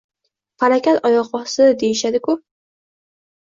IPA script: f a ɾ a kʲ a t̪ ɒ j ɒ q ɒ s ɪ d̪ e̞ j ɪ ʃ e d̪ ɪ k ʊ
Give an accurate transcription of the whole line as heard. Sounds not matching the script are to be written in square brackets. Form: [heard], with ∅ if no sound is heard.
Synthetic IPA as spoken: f a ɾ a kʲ a t̪ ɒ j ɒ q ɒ s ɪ d̪ e̞ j ɪ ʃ [a] d̪ ɪ k ʊ